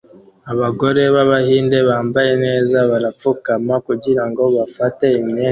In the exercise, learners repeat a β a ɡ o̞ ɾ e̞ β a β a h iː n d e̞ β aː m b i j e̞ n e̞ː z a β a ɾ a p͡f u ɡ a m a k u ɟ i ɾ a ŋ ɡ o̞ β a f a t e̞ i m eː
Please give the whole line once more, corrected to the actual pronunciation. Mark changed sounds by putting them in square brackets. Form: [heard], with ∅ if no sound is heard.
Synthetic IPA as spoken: a β a ɡ o̞ ɾ e̞ β a β a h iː n d e̞ β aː m b [a] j e̞ n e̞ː z a β a ɾ a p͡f u [k] a m a k u ɟ i ɾ a ŋ ɡ o̞ β a f a t e̞ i m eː